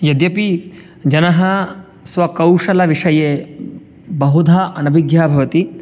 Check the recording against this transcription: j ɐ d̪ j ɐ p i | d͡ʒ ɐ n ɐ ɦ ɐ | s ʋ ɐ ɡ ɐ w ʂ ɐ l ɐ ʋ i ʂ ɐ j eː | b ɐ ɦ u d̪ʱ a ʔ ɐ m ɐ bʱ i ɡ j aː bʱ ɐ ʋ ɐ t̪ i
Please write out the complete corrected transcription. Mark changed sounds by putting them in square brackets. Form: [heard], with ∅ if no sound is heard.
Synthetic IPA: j ɐ d̪ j ɐ p i | d͡ʒ ɐ n ɐ ɦ ɐ | s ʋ ɐ [k] ɐ w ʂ ɐ l ɐ ʋ i ʂ ɐ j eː | b ɐ ɦ u d̪ʱ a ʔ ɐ [n] ɐ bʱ i ɡ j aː bʱ ɐ ʋ ɐ t̪ i